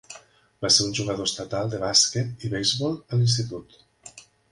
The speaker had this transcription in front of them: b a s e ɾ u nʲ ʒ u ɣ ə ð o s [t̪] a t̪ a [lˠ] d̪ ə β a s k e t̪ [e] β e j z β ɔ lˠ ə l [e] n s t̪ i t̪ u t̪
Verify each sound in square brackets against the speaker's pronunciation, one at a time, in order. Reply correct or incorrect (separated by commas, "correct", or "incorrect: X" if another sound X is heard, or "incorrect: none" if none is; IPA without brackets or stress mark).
correct, correct, incorrect: i, incorrect: i